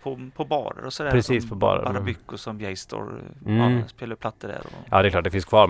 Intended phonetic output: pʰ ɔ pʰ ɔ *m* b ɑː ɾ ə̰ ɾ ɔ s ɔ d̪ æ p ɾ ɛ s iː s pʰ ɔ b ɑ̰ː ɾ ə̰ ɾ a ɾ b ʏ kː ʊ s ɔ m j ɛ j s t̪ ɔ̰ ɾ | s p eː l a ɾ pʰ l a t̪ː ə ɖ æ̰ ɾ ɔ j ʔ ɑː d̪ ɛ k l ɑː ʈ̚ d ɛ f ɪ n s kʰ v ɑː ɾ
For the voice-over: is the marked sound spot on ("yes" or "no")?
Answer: no